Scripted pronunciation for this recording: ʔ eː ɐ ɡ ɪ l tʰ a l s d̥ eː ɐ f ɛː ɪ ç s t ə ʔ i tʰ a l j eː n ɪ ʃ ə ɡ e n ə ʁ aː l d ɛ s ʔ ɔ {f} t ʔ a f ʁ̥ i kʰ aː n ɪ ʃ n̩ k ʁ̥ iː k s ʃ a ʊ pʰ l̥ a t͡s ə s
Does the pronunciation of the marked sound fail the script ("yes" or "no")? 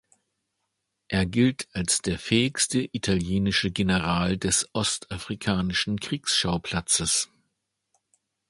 yes